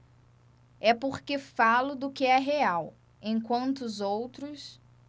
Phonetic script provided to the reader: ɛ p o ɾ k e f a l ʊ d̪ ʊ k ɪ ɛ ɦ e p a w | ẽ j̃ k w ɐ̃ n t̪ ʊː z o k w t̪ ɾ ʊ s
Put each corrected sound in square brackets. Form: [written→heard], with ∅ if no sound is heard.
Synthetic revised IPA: ɛ p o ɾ k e f a l ʊ d̪ ʊ k ɪ ɛ ɦ e [p→∅] a w | ẽ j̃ k w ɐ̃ n t̪ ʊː z o [k→∅] w t̪ ɾ ʊ s